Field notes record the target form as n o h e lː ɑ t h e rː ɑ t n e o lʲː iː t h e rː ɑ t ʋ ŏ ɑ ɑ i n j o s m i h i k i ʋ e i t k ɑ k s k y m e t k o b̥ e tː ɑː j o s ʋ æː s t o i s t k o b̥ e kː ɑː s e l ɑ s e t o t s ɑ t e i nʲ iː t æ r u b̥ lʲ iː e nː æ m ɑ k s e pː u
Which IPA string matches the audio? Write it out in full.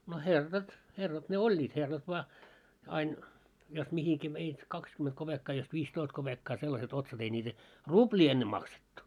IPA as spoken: n o h e rː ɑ t h e rː ɑ t n e o lʲː iː t h e rː ɑ t ʋ ŏ ɑ ɑ i n j o s m i h i k i ʋ e i t k ɑ k s k y m e t k o b̥ e kː ɑː j o s ʋ iː s t o i s t k o b̥ e kː ɑː s e lː ɑ s e t o t s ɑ t e i nʲ iː t æ r u b̥ lʲ iː e nː e m ɑ k s e tː u